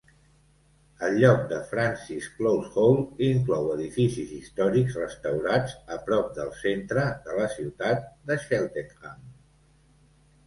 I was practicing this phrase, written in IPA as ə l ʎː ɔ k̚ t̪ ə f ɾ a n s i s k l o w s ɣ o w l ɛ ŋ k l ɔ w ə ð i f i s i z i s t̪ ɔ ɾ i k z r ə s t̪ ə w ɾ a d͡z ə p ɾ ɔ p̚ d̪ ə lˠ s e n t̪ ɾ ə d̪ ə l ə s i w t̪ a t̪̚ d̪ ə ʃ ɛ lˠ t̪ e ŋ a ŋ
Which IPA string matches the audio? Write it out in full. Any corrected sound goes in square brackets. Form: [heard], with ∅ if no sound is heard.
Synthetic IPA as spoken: ə l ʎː ɔ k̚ [d̪] ə f ɾ a n s i s k l o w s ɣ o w l [i] ŋ k l ɔ w ə ð i f i s i z i s t̪ ɔ ɾ i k z r ə s t̪ ə w ɾ a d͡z ə p ɾ ɔ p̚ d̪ ə lˠ s e n t̪ ɾ ə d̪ ə l ə s i w t̪ a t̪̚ d̪ ə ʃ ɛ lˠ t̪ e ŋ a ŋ